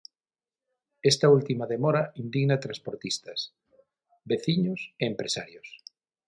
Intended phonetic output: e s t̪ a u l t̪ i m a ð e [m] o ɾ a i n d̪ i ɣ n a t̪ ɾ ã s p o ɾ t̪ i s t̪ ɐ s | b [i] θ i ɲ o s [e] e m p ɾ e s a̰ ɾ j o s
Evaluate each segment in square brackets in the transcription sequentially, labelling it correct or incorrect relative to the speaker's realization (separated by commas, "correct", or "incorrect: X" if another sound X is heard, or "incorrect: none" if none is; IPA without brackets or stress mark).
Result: correct, incorrect: e, correct